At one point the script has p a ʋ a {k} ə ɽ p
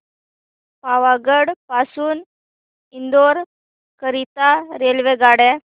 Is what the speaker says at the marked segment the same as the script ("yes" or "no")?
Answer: no